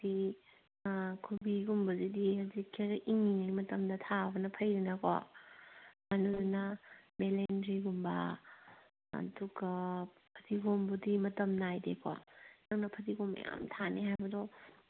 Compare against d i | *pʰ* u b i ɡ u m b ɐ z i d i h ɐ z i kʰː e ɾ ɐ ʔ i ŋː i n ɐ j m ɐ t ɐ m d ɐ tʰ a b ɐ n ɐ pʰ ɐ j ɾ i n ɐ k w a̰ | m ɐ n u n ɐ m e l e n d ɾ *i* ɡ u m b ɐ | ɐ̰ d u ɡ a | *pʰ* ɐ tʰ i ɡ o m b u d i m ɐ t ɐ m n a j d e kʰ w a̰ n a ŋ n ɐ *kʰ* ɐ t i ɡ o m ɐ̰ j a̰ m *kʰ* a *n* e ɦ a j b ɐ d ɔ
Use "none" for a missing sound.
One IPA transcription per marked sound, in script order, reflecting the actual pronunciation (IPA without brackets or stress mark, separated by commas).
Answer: kʰ, i, pʰ, pʰ, tʰ, n